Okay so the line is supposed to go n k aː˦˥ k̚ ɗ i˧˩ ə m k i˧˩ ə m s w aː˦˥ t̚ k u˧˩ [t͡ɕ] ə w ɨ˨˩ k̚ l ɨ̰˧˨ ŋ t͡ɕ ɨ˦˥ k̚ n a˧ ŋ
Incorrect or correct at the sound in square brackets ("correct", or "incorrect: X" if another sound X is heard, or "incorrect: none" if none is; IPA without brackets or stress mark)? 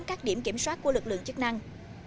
incorrect: none